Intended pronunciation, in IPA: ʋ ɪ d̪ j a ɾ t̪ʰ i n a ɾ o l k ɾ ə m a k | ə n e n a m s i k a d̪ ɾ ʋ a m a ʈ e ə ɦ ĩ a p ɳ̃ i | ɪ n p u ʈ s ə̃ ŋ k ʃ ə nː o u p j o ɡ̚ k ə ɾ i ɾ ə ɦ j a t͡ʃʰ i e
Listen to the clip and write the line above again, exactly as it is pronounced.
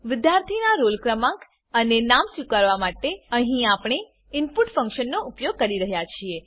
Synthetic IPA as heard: ʋ ɪ d̪ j a ɾ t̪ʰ i n a ɾ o l k ɾ ə m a k | ə n e n a m s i k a ɾ ʋ a m a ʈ e ə ɦ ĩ a p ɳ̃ e | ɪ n p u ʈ f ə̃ ŋ k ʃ ə nː o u p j o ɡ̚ k ə ɾ i ɾ ə ɦ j a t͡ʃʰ i e